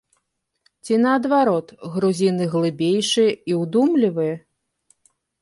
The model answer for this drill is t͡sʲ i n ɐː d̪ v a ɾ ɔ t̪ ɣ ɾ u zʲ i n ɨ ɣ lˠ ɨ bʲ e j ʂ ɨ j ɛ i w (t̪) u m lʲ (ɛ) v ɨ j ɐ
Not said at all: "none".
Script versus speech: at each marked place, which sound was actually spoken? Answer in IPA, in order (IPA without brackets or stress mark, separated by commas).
d̪, i